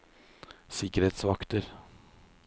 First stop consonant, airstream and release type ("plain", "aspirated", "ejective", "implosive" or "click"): plain